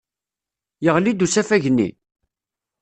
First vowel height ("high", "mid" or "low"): mid